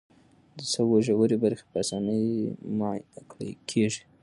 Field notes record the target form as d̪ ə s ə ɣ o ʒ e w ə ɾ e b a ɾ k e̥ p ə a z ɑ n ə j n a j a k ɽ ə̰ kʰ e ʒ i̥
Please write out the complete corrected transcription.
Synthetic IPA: d̪ ə s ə w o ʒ a w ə ɾ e b a ɾ x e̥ p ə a s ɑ n ə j m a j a k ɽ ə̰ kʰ e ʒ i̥

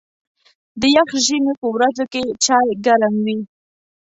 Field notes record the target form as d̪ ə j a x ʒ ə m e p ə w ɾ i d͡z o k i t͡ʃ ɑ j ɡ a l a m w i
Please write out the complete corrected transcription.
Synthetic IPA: d̪ ə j a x ʒ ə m e p ə w ɾ a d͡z o k e t͡ʃ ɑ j ɡ a ɾ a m w i

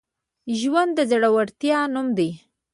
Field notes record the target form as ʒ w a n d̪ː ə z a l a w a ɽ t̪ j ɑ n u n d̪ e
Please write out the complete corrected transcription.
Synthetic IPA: ʒ w a n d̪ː ə z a ɽ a w a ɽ t̪ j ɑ n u m d̪ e

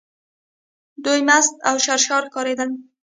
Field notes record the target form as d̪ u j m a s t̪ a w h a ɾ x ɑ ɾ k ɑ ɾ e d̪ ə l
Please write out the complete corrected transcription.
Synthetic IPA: d̪ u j m a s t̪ a w ʃ a ɾ ʃ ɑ ɾ k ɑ ɾ e d̪ ə l

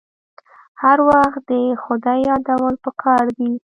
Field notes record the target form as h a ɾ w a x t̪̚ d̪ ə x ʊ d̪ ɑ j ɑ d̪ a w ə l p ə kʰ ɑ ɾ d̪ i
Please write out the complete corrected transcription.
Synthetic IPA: h a ɾ w a x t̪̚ d̪ ə x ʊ d̪ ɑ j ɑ d̪ a w ə l p ə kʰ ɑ ɾ d̪ i

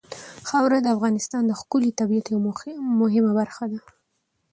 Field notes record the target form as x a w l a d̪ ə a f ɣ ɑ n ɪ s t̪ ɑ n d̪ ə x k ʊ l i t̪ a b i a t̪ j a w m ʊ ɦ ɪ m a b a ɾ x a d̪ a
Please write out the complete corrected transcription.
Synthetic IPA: x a w ɾ a d̪ ə a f ɣ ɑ n ɪ s t̪ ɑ n d̪ ə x k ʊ l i t̪ a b i a t̪ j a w m ʊ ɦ ɪ m a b a ɾ x a d̪ a

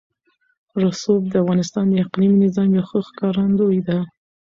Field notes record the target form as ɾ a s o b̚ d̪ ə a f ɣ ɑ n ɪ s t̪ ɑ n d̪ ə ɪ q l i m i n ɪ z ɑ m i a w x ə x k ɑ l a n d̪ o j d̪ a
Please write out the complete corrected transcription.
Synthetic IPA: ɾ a s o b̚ d̪ ə a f ɣ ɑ n ɪ s t̪ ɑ n d̪ ə ɪ q l i m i n ɪ z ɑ m j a w x ə x k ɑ ɾ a n d̪ o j d̪ a

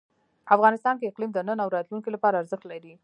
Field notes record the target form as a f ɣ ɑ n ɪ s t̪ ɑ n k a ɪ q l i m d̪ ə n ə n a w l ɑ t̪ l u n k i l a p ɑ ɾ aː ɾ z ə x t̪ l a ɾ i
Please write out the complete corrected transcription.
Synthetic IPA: a f ɣ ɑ n ɪ s t̪ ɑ n k e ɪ q l i m d̪ ə n ə n a w ɾ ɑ t̪ l u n k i l a p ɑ ɾ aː ɾ z ə x t̪ l a ɾ i

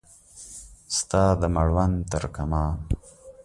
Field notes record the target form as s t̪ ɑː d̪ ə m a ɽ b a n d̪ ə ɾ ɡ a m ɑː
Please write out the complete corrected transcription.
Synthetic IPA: s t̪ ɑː d̪ ə m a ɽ w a n t̪ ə ɾ k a m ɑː

